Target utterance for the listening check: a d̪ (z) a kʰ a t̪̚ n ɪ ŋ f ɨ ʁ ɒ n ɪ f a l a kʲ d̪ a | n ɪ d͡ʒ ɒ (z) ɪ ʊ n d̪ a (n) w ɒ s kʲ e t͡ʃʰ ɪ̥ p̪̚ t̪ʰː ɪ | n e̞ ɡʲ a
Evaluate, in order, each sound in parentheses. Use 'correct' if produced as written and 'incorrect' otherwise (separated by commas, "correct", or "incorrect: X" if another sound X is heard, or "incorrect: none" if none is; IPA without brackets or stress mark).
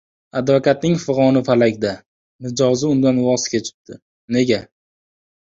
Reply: incorrect: v, correct, correct